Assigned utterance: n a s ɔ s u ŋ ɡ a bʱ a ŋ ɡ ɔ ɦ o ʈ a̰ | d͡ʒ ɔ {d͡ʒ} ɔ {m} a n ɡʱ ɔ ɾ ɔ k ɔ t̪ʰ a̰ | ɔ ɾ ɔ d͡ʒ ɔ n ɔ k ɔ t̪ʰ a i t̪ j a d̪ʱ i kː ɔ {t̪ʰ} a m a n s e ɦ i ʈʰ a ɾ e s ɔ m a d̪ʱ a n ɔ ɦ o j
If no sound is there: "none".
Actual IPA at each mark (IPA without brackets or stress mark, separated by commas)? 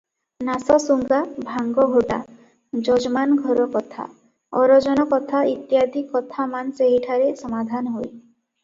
d͡ʒ, m, t̪ʰ